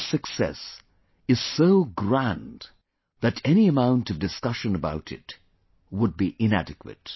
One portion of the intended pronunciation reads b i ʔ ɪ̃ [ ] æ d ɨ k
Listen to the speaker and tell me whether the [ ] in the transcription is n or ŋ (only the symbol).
n